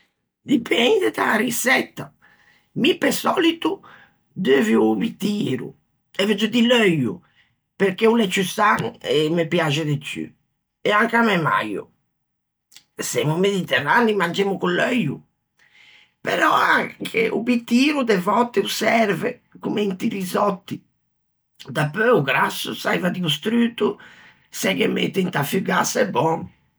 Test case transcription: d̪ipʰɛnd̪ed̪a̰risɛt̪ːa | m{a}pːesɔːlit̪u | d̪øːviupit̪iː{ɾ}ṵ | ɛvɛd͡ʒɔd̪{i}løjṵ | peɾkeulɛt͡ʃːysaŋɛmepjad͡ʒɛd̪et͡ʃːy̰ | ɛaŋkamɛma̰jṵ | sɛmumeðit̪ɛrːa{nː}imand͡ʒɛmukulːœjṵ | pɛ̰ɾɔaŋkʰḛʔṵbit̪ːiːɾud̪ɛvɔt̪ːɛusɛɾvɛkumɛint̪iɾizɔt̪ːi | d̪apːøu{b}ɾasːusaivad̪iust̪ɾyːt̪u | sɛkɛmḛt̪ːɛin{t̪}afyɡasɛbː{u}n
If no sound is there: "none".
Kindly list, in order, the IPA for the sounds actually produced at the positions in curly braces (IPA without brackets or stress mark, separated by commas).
i, ɾ, i, n, ɡ, t̪, ɔ